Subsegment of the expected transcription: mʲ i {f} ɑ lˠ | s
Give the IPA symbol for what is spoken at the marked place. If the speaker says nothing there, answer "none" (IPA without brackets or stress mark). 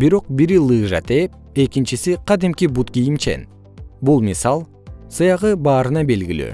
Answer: s